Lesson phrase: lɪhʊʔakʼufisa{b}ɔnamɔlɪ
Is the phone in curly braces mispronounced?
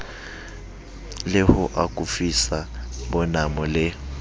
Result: no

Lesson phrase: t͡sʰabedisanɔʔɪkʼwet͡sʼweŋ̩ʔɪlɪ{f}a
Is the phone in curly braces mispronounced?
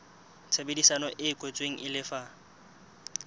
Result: no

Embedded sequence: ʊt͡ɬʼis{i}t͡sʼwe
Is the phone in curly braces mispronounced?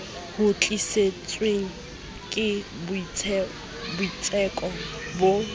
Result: yes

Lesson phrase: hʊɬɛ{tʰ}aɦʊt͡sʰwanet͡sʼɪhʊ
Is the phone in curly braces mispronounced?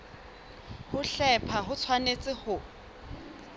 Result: yes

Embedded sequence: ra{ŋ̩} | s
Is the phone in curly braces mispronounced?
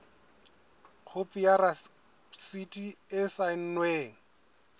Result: yes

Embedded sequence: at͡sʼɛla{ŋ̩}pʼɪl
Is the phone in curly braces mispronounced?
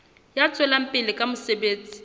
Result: yes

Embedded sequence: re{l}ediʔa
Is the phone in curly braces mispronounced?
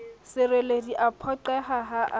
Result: no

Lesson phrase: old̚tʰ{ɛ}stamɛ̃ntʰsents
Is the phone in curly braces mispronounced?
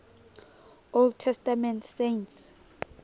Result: no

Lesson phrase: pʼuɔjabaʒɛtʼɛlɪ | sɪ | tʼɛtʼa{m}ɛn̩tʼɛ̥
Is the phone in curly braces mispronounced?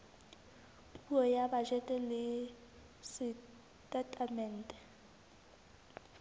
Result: no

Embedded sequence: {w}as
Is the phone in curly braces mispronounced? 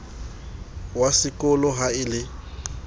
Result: no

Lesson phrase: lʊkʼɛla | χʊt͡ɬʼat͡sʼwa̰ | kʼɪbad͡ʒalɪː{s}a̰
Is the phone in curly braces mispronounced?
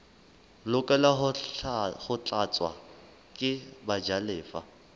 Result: yes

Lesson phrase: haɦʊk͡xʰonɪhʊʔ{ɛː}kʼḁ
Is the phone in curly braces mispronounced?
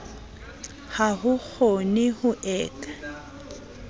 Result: no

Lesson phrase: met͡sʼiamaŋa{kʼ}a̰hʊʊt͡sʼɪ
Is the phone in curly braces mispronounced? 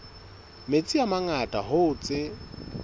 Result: yes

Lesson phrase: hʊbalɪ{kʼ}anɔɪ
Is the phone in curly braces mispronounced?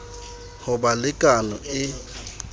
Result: no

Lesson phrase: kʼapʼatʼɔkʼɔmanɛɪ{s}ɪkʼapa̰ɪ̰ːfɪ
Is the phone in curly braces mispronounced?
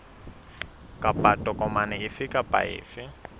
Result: yes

